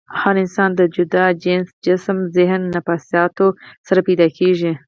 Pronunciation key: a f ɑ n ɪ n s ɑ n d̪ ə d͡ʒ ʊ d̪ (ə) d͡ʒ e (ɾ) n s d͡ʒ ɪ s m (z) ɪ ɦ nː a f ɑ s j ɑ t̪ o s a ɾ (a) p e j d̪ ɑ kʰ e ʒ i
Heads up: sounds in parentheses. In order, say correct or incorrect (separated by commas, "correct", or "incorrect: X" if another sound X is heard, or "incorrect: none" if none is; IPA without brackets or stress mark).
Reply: incorrect: ɑ, incorrect: none, correct, correct